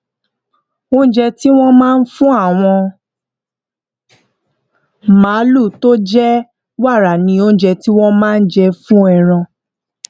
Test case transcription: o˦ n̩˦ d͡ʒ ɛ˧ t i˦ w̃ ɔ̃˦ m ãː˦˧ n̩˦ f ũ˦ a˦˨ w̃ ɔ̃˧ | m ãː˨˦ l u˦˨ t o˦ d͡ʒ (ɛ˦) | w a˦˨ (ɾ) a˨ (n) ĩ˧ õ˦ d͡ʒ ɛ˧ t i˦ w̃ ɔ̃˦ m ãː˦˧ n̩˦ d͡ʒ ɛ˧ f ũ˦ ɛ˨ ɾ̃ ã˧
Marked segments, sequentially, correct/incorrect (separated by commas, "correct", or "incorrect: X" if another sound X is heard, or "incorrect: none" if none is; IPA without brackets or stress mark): correct, correct, correct